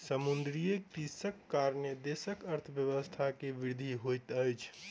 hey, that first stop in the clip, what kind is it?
plain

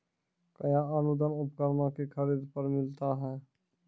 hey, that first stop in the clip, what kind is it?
plain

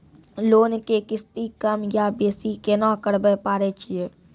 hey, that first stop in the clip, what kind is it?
plain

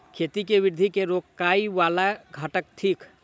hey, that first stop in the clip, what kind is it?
aspirated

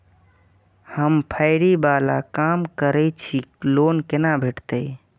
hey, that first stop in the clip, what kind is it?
aspirated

